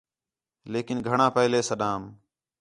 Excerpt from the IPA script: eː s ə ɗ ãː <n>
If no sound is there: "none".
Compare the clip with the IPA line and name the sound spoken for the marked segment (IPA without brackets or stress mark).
m